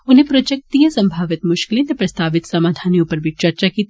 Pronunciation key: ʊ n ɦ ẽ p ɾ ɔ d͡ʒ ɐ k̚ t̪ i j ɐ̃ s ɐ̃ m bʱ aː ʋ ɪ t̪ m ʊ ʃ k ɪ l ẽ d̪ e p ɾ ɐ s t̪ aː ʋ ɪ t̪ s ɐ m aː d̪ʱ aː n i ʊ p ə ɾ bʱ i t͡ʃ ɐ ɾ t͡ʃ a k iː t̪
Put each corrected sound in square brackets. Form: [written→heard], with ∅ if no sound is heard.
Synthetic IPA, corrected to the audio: ʊ n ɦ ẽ p ɾ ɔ d͡ʒ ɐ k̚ t̪ i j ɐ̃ s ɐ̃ m bʱ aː ʋ ɪ t̪ m ʊ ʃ k ɪ l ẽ [d̪→t̪] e p ɾ ɐ s t̪ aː ʋ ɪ t̪ s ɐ m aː d̪ʱ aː n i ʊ p ə ɾ bʱ i t͡ʃ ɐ ɾ t͡ʃ a k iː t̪

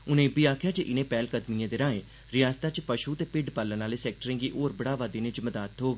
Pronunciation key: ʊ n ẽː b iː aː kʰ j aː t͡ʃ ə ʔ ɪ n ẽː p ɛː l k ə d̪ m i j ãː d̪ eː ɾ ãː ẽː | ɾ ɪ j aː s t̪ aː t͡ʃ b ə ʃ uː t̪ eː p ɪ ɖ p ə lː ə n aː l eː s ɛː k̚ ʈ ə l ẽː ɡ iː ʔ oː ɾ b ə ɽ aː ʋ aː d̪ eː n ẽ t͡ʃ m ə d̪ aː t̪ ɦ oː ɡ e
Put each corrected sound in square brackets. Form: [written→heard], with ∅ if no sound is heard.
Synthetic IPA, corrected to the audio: ʊ n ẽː b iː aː kʰ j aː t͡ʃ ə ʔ ɪ n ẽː p ɛː l k ə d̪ m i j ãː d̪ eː ɾ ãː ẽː | ɾ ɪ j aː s t̪ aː t͡ʃ [b→p] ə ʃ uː t̪ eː p ɪ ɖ p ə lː ə n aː l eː s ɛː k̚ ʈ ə [l→ɾ] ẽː ɡ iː ʔ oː ɾ b ə ɽ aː ʋ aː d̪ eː n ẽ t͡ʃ m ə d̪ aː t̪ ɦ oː ɡ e

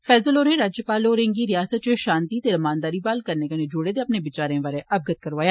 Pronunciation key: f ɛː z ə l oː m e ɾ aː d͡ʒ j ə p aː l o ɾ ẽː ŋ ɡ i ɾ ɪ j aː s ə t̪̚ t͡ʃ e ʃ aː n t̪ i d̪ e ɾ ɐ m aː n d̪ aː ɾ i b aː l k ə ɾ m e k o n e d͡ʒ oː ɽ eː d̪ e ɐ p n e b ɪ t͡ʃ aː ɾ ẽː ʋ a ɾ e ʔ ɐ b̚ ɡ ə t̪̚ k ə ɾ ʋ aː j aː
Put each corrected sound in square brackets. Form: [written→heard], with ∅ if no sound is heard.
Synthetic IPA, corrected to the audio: f ɛː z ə l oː [m→n] e ɾ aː d͡ʒ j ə p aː l o ɾ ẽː ŋ ɡ i ɾ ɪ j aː s ə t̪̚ t͡ʃ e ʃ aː n t̪ i [d̪→t̪] e ɾ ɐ m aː n d̪ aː ɾ i b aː l k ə ɾ [m→n] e k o n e d͡ʒ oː ɽ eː d̪ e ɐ p n e b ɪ t͡ʃ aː ɾ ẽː ʋ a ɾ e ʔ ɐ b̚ ɡ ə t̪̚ k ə ɾ ʋ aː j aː

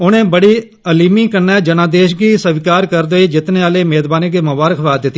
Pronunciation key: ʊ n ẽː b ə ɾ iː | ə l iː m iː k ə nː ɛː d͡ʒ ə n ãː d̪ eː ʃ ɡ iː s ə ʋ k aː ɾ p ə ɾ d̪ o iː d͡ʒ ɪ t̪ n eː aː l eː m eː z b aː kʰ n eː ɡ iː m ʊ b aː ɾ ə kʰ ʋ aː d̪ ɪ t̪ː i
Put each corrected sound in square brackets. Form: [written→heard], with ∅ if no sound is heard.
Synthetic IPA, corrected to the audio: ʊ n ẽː b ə [ɾ→ɽ] iː | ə l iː m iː k ə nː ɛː d͡ʒ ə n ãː d̪ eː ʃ ɡ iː s ə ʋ k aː ɾ [p→k] ə ɾ d̪ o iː d͡ʒ ɪ t̪ n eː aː l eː m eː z b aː [kʰ→∅] n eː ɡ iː m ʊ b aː ɾ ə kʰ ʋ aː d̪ ɪ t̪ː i

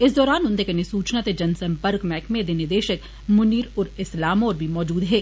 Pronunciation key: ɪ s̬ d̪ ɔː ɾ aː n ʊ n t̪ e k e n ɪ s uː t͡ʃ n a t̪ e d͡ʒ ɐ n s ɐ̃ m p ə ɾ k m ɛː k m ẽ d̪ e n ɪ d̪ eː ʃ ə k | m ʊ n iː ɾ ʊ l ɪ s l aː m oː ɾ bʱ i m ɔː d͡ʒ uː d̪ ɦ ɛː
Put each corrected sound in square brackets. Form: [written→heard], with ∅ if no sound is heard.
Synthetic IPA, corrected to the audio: ɪ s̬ d̪ ɔː ɾ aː n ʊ n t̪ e k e n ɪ s uː t͡ʃ n a t̪ e d͡ʒ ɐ n s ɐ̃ m p ə ɾ k m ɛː k m ẽ d̪ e n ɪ d̪ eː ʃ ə k | m ʊ n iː ɾ ʊ [l→ɾ] ɪ s l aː m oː ɾ bʱ i m ɔː d͡ʒ uː d̪ ɦ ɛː

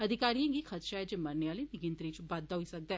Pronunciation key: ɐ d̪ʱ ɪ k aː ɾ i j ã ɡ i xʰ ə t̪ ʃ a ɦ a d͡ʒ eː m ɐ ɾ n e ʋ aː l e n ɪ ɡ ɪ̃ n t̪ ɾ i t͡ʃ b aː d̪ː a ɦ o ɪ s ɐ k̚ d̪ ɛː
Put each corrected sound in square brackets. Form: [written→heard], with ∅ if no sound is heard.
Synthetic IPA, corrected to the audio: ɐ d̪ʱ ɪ k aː ɾ i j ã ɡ i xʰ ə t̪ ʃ a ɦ [a→ɛ] d͡ʒ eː m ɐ ɾ n e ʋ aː l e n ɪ ɡ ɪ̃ n t̪ ɾ i t͡ʃ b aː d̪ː a ɦ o [ɪ→i] s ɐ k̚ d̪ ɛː

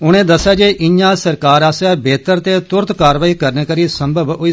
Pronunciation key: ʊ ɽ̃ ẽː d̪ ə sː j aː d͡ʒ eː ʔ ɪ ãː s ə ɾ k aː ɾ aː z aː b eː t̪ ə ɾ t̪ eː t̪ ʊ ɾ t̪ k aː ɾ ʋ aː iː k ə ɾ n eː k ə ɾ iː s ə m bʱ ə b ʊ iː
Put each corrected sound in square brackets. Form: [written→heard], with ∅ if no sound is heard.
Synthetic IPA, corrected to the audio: ʊ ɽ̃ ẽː d̪ ə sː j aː d͡ʒ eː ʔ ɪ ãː s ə ɾ k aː ɾ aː [z→s] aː b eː t̪ ə ɾ t̪ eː t̪ ʊ ɾ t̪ k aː ɾ ʋ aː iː k ə ɾ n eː k ə ɾ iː s ə m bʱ ə b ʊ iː

